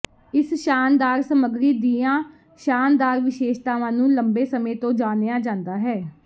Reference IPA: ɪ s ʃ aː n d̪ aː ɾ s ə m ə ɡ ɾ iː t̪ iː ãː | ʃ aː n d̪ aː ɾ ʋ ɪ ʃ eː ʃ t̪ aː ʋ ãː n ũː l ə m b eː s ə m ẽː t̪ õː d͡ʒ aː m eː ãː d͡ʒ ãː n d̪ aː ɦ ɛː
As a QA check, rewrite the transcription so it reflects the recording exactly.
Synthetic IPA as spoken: ɪ s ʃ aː n d̪ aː ɾ s ə m ə ɡ ɾ iː d̪ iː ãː | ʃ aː n d̪ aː ɾ ʋ ɪ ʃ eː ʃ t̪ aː ʋ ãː n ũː l ə m b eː s ə m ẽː t̪ õː d͡ʒ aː n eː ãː d͡ʒ ãː n d̪ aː ɦ ɛː